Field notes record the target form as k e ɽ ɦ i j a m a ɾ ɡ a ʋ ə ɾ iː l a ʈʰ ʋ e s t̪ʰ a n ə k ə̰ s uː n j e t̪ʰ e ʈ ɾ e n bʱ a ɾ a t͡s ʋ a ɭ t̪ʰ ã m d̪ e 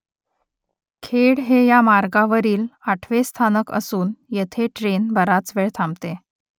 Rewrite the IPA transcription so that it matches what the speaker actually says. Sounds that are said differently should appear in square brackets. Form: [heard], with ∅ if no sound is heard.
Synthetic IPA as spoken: [kʰ] e ɽ ɦ [e] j a m a ɾ ɡ a ʋ ə ɾ iː l a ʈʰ ʋ e s t̪ʰ a n ə k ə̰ s uː n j e t̪ʰ e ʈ ɾ e n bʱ [ə] ɾ a t͡s ʋ [e] ɭ t̪ʰ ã m [t̪] e